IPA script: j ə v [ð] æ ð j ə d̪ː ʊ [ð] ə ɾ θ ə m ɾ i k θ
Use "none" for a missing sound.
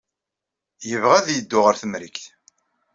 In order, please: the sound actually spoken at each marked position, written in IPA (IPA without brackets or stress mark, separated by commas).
ʁ, ʁ